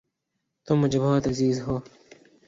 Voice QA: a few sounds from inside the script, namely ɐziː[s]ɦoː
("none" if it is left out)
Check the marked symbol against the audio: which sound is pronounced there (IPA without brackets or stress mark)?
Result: z